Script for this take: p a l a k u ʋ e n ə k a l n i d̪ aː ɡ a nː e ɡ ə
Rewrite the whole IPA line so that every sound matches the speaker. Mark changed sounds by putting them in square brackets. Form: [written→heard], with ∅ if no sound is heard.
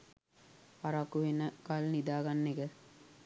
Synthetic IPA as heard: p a [l→ɾ] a k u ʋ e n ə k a l n i d̪ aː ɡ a nː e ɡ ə